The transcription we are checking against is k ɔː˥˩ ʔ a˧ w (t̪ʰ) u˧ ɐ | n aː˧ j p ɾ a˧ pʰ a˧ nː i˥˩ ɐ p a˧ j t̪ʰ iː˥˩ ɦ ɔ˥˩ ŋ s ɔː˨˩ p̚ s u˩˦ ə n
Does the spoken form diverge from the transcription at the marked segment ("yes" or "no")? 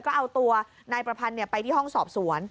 yes